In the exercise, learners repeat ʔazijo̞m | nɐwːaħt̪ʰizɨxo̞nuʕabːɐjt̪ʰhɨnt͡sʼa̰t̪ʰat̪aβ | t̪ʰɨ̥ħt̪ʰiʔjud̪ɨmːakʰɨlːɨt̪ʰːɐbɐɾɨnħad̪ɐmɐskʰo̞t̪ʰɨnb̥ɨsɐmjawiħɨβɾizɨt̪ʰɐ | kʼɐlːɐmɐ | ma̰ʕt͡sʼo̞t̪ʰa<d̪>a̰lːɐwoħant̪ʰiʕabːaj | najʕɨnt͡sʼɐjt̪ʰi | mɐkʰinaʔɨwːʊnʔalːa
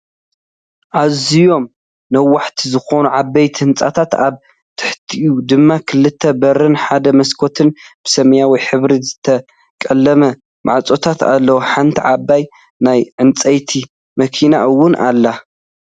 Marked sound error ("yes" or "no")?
yes